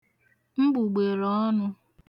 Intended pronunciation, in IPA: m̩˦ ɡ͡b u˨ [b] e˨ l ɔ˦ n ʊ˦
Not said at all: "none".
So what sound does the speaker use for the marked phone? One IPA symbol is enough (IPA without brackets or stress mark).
ɡ͡b